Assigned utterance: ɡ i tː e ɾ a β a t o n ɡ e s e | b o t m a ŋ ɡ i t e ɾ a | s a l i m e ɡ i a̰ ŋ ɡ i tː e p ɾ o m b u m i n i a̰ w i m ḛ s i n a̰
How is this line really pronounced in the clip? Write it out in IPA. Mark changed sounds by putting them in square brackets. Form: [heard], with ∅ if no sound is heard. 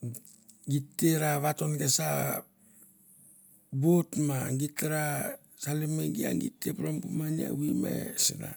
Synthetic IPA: ɡ i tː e ɾ a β a t o n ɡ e s [a] | b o t m a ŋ ɡ i t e ɾ a | s a l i m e ɡ i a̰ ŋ ɡ i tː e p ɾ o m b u m [a] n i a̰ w i m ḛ s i n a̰